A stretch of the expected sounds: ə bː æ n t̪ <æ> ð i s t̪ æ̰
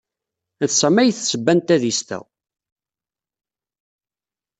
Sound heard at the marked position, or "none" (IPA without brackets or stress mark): æ